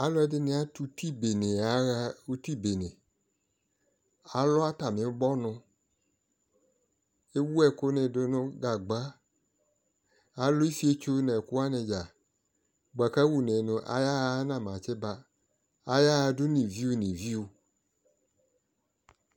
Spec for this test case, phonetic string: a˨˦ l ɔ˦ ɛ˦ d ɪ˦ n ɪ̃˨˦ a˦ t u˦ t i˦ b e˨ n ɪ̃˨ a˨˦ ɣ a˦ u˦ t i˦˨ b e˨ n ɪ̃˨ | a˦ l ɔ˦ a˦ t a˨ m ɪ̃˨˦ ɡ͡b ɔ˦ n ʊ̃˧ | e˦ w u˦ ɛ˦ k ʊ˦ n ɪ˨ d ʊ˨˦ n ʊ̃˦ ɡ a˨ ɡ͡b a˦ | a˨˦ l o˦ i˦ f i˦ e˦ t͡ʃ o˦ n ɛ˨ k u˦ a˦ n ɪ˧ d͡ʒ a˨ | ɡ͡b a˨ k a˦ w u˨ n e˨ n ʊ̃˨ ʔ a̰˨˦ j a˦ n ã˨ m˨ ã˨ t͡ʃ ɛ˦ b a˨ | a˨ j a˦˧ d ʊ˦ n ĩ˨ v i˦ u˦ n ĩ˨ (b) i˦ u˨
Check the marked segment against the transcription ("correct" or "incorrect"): incorrect